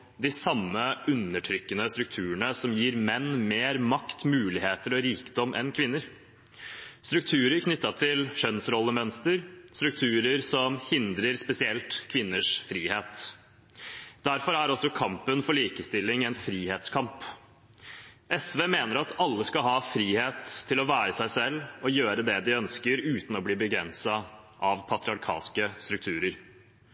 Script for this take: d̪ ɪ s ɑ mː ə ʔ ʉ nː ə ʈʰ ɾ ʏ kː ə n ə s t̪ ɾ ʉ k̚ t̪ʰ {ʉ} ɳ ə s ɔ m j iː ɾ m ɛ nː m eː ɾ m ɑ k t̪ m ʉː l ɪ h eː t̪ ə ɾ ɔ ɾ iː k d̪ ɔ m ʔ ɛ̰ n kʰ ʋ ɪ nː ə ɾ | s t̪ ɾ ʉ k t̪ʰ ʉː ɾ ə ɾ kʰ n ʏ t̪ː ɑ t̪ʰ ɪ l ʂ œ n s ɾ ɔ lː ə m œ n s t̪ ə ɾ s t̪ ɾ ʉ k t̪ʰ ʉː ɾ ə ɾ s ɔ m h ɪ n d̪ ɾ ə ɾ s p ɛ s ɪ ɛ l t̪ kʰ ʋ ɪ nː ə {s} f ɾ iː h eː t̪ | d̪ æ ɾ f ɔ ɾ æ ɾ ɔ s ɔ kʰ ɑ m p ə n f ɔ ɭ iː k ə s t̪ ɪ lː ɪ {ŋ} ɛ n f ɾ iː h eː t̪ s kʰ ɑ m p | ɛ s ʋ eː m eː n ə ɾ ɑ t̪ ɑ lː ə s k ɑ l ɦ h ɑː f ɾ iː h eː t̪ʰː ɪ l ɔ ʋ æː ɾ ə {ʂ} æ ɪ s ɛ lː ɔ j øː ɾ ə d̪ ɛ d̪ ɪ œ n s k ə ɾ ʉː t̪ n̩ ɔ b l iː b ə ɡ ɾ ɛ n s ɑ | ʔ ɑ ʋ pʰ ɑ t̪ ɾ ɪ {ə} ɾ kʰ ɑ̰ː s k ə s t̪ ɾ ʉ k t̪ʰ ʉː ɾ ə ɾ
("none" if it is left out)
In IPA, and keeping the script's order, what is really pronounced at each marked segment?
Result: ʉː, ʂ, ŋ, s, ɑ

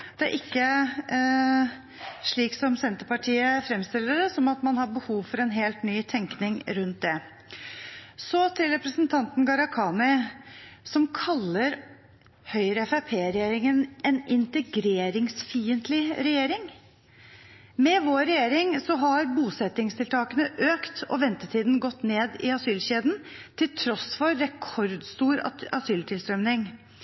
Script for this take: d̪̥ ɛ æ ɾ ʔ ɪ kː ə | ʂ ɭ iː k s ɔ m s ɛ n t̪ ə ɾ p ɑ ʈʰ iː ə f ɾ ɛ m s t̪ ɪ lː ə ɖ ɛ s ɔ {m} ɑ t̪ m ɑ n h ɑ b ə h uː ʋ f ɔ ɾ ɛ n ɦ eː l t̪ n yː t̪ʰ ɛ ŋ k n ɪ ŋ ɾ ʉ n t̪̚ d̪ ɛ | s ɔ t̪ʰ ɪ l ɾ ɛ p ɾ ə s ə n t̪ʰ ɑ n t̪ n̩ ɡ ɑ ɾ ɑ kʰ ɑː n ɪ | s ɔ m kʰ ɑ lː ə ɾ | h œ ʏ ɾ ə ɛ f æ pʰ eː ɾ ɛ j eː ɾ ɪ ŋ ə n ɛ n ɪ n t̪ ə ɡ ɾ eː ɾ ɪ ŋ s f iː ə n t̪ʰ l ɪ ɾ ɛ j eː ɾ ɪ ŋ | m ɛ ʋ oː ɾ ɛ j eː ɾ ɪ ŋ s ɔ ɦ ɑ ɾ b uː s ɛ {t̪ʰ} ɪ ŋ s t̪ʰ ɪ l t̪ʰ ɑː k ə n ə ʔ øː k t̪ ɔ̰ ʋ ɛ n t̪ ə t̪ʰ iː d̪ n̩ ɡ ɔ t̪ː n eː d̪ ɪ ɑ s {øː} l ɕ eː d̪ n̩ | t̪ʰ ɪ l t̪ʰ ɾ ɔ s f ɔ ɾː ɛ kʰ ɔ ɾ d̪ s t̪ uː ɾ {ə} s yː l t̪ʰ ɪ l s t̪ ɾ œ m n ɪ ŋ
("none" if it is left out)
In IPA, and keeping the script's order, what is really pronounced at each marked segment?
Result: m, t̪, yː, ɑ

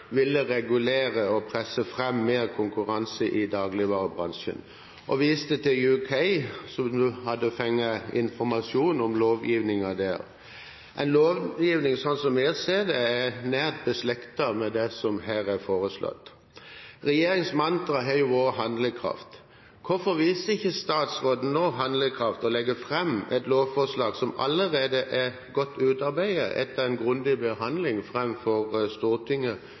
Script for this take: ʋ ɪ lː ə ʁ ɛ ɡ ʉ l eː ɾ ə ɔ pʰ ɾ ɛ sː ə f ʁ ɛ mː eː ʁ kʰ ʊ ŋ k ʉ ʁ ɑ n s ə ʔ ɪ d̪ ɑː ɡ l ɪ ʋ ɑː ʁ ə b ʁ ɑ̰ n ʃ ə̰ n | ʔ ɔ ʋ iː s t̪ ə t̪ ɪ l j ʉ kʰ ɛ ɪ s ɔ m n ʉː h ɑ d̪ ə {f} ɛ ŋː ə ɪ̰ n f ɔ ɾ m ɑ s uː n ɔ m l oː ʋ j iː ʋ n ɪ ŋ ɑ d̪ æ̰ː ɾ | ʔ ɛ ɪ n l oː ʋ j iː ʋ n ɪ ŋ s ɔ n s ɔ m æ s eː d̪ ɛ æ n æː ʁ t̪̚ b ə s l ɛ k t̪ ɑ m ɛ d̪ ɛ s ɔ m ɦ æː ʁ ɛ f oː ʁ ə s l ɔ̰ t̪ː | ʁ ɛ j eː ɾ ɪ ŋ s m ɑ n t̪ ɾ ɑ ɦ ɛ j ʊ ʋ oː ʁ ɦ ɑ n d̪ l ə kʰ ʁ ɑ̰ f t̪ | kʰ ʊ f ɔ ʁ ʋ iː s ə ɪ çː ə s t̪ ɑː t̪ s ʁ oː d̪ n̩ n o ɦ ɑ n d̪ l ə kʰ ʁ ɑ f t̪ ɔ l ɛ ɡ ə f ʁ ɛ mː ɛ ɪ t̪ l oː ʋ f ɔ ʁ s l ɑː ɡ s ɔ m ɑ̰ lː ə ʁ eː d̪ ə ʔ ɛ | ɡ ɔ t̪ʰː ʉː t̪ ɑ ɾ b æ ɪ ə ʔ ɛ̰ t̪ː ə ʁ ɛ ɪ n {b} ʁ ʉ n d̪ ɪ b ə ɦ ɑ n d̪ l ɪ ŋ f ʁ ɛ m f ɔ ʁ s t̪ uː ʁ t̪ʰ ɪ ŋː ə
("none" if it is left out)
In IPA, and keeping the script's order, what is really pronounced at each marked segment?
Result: f, ɡ

